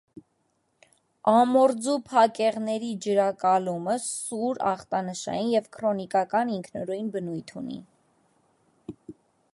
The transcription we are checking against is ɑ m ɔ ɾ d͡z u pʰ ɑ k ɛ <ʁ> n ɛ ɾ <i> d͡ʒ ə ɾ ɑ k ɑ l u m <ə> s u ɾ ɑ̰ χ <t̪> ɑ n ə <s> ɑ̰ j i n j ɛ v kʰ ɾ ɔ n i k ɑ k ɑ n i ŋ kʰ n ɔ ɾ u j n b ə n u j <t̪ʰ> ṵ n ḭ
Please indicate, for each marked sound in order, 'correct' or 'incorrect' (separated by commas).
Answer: correct, correct, correct, correct, incorrect, correct